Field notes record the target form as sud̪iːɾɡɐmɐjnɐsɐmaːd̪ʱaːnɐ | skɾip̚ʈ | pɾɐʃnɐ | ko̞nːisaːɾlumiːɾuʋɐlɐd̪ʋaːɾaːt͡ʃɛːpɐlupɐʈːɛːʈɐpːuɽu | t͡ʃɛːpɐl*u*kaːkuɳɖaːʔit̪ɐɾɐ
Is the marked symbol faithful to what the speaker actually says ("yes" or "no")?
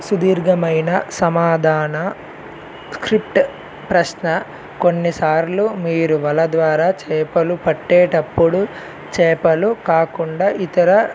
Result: yes